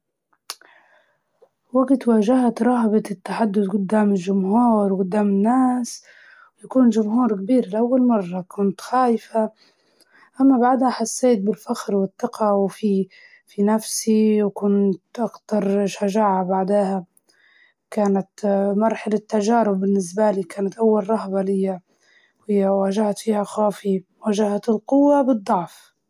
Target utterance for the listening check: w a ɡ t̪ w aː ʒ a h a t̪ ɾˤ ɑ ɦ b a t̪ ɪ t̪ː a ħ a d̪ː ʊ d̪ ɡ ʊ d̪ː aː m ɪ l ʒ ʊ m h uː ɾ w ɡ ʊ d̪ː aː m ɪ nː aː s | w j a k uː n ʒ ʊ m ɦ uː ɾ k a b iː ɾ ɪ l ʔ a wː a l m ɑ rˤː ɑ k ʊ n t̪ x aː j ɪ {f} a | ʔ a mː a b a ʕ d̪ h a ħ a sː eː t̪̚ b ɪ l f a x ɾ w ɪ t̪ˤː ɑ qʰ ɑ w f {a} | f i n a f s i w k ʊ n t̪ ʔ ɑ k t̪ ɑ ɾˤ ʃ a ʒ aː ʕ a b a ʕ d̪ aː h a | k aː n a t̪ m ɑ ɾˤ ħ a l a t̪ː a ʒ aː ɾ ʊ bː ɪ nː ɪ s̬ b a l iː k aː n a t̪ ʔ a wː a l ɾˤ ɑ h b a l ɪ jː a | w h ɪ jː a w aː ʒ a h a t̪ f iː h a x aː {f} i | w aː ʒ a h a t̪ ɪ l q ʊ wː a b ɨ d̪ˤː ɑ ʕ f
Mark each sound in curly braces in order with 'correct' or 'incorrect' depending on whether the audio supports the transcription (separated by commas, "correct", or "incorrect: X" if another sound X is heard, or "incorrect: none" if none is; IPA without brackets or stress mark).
correct, incorrect: i, correct